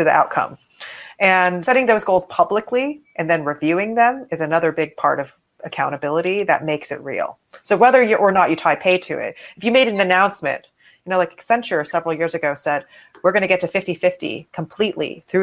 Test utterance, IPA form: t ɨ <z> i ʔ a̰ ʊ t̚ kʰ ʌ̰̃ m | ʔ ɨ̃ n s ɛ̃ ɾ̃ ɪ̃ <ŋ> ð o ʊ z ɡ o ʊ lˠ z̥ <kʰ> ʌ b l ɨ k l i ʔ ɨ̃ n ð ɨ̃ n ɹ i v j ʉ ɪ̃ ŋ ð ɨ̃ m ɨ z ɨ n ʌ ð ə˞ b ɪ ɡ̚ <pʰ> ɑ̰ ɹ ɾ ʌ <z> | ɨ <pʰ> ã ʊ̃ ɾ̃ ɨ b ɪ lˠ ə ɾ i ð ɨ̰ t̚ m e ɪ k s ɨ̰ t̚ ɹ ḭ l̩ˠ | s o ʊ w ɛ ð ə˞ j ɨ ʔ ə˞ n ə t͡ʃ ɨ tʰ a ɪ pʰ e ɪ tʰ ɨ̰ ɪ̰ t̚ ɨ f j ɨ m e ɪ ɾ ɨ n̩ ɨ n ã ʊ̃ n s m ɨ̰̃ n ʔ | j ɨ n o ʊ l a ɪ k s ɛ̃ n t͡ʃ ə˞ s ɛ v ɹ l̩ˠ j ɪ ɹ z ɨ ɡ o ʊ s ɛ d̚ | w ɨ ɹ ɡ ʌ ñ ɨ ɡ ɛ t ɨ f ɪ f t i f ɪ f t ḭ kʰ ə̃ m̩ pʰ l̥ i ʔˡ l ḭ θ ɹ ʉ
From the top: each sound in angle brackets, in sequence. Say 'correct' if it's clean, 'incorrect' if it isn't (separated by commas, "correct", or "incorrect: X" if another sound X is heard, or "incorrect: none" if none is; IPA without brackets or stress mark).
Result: incorrect: ð, correct, incorrect: pʰ, correct, incorrect: v, incorrect: kʰ